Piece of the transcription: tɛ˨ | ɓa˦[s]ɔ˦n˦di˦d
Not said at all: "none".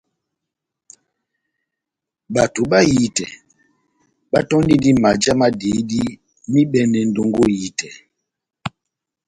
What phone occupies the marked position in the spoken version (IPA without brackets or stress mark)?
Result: t